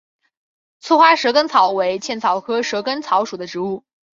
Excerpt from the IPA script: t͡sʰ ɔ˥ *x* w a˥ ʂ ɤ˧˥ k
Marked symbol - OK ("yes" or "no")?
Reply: yes